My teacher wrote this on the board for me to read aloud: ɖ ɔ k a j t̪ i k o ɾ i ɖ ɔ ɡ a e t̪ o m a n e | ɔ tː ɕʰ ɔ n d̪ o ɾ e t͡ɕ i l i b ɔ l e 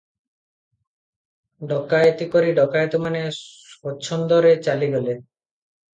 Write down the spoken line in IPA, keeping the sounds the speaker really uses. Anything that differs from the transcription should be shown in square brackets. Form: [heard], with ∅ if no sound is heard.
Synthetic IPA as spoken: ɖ ɔ k a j t̪ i k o ɾ i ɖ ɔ [k] a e t̪ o m a n e | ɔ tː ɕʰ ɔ n d̪ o ɾ e t͡ɕ [a] l i [ɡ] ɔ l e